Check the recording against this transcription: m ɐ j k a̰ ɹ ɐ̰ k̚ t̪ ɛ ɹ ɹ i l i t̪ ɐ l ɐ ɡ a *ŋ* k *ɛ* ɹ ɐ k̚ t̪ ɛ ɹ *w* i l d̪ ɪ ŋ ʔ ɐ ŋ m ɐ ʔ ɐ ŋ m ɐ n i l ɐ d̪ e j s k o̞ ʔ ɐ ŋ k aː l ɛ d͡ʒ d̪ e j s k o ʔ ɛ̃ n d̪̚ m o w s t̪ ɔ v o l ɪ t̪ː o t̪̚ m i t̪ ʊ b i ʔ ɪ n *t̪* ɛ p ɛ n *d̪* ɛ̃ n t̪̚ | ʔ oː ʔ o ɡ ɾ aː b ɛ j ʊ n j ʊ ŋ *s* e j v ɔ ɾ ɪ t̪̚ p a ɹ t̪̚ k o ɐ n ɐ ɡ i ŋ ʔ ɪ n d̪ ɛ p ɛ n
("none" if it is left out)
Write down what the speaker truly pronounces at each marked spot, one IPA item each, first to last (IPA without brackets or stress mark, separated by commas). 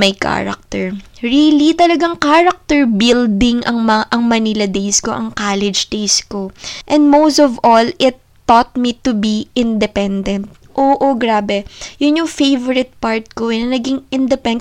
ŋ, a, b, d̪, d̪, f